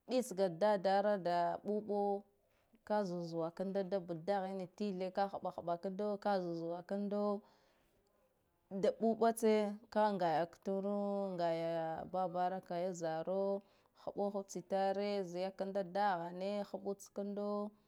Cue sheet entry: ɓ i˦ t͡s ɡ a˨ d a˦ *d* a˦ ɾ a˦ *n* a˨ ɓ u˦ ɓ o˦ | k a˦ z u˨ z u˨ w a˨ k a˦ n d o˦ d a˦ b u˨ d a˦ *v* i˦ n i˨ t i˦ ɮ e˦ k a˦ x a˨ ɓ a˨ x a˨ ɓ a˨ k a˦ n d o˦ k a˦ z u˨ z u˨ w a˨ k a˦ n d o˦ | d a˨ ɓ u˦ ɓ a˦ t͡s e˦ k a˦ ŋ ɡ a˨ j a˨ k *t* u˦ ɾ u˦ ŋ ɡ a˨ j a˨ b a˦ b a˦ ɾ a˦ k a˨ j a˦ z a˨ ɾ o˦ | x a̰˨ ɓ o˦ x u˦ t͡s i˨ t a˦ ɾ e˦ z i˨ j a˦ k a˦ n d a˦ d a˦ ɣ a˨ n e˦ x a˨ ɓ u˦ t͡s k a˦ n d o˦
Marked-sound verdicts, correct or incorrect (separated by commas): correct, incorrect, incorrect, correct